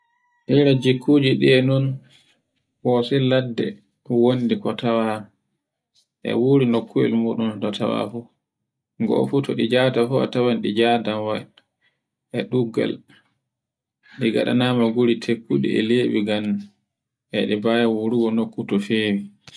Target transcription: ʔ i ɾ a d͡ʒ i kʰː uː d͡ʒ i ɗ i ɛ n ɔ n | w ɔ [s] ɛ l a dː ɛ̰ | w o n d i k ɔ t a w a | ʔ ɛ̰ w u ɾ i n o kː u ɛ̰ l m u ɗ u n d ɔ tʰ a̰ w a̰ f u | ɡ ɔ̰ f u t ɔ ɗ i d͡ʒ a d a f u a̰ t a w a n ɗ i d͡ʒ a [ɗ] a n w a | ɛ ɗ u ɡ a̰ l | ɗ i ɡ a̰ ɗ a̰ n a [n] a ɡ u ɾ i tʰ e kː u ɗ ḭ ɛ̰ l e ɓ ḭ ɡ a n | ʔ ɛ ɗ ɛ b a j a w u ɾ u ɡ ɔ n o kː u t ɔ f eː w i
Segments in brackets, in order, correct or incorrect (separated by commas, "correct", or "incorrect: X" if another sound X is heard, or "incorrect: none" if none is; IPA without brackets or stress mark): correct, incorrect: d, incorrect: m